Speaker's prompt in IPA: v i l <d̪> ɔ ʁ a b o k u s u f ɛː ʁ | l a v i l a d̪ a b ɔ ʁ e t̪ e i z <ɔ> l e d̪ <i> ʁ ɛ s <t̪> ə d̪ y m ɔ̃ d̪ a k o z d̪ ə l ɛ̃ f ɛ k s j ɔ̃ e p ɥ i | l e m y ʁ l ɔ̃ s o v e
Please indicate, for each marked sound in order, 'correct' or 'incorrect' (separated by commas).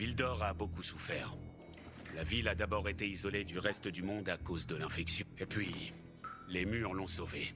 correct, correct, incorrect, correct